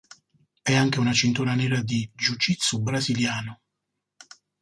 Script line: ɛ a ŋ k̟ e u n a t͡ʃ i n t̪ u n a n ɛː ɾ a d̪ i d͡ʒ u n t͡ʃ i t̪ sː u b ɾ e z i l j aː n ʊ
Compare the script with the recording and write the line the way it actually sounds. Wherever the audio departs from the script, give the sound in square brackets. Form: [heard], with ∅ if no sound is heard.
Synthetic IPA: ɛ a ŋ k̟ e u n a t͡ʃ i n t̪ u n a n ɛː ɾ a d̪ i d͡ʒ u [∅] t͡ʃ i t̪ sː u b ɾ [a] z i l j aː n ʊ